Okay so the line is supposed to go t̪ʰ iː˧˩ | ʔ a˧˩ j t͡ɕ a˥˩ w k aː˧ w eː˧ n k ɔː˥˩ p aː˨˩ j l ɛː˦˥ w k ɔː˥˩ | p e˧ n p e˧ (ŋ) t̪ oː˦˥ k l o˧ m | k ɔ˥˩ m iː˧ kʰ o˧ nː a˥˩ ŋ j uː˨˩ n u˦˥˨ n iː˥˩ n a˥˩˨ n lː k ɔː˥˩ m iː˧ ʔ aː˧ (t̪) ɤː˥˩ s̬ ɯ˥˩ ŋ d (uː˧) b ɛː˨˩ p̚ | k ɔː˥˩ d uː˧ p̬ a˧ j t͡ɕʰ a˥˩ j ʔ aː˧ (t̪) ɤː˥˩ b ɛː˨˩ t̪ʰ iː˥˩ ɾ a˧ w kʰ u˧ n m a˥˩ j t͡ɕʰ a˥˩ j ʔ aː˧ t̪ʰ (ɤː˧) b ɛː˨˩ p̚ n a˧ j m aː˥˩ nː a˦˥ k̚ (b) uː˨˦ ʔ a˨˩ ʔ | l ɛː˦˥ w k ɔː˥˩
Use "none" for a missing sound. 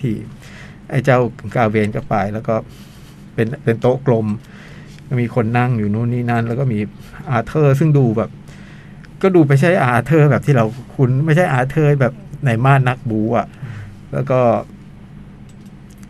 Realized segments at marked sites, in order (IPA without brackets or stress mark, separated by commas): n, t̪ʰ, uː˧, t̪ʰ, ɤː˥˩, b